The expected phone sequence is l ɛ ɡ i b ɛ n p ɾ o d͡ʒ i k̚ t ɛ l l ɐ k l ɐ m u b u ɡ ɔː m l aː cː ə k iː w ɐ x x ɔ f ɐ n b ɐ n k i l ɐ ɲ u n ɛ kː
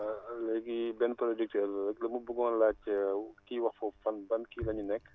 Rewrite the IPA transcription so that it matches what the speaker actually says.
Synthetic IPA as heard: l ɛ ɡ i b ɛ n p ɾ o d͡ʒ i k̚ t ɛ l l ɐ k l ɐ m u b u ɡ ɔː n l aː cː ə k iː w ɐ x f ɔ f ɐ n b ɐ n k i l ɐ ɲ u n ɛ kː